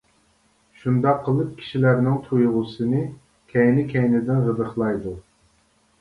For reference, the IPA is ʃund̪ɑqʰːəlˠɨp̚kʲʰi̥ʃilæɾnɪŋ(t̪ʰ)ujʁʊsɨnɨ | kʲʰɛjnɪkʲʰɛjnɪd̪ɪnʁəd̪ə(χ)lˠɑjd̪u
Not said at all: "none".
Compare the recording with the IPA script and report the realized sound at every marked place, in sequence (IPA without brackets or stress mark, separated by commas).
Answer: t̪ʰ, χ